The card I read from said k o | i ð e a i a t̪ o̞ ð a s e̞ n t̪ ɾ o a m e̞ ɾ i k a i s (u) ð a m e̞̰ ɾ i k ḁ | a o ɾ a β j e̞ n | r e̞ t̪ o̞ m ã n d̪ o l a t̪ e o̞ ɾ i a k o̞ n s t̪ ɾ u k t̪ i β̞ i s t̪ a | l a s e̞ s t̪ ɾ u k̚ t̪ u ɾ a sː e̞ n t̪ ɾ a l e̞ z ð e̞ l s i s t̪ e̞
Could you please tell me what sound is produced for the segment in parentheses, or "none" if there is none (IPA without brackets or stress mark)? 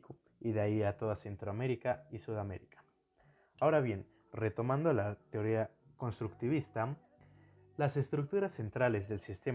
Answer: u